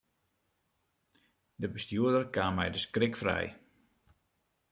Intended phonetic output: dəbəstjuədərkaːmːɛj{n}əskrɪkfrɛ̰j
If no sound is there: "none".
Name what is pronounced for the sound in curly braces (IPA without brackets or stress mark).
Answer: d